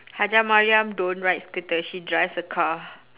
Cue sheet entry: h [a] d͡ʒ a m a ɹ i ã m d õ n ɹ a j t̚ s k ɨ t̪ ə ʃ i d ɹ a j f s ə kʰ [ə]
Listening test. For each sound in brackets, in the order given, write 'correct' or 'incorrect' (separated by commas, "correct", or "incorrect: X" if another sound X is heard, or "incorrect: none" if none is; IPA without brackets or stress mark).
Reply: correct, incorrect: a